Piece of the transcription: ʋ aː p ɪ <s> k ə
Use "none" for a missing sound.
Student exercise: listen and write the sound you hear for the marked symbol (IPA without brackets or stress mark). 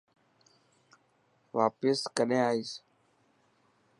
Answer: s